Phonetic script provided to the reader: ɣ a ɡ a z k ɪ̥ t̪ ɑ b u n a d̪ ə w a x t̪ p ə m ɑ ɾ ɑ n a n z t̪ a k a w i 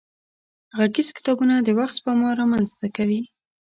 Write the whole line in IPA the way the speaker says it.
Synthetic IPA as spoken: ɣ a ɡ i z k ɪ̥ t̪ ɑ b u n a d̪ ə w a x t̪ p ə m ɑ ɾ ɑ m a n z t̪ a k a w i